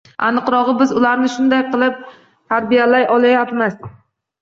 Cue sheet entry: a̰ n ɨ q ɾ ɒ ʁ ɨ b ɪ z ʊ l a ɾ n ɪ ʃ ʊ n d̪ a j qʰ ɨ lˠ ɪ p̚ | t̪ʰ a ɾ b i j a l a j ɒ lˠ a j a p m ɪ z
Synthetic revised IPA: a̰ n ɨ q ɾ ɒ ʁ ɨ b ɪ z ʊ l a ɾ n ɪ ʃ ʊ n d̪ a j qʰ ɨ lˠ ɪ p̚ | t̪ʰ a ɾ b i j a l a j ɒ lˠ a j a p m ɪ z